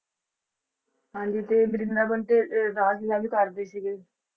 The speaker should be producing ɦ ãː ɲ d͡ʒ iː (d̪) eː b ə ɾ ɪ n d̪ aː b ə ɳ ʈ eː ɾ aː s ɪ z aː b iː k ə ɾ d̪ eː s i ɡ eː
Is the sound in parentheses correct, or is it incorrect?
incorrect